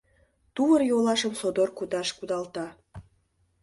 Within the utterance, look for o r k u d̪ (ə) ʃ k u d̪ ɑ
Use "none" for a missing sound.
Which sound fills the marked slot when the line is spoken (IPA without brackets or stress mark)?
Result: ɑ